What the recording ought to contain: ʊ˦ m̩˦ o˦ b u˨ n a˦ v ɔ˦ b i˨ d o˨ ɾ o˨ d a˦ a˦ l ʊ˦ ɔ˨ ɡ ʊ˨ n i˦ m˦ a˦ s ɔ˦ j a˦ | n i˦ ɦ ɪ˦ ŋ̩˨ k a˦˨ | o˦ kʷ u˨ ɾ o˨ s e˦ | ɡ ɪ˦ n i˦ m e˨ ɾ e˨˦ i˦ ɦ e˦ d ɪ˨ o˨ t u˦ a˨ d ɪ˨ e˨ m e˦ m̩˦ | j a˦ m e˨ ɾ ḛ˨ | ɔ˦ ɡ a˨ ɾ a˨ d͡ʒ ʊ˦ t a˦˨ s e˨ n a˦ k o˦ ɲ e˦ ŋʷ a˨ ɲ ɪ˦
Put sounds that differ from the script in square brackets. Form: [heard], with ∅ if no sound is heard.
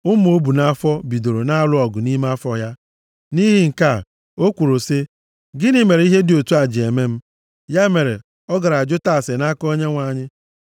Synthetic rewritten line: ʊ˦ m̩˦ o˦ b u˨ n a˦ [f] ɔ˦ b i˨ d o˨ ɾ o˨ [n] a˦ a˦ l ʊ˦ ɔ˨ ɡ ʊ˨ n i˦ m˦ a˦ [f] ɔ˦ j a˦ | n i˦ ɦ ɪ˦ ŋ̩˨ k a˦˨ | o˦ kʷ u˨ ɾ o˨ s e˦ | ɡ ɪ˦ n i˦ m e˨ ɾ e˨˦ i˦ ɦ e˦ d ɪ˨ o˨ t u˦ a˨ [d͡ʒ] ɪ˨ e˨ m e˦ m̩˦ | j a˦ m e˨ ɾ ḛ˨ | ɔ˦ ɡ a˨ ɾ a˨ d͡ʒ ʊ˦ t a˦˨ s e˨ n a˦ k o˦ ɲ e˦ ŋʷ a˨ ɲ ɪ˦